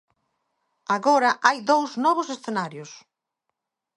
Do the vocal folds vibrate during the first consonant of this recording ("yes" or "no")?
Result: yes